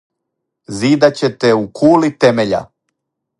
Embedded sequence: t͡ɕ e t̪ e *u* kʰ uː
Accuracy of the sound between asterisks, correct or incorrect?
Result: correct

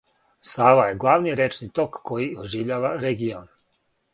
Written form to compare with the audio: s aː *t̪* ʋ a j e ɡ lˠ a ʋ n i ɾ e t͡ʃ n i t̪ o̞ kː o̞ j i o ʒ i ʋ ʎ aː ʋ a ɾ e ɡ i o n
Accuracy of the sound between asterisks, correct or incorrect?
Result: incorrect: none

